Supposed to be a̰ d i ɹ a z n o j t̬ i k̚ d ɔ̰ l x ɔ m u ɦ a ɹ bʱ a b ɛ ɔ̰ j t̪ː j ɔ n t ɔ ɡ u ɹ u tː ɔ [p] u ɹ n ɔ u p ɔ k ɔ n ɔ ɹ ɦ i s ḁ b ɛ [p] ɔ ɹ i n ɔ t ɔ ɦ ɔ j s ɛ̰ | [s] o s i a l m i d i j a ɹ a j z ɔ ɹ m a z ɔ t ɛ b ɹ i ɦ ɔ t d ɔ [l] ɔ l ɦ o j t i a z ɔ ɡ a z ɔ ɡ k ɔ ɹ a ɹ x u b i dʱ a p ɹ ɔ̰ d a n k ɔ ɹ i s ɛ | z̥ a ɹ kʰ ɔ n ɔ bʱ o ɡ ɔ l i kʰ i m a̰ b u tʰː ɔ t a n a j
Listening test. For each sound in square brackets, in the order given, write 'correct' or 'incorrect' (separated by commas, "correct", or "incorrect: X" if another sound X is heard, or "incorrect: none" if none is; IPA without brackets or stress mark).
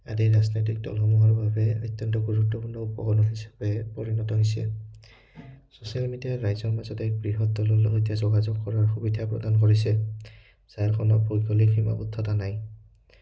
correct, correct, correct, correct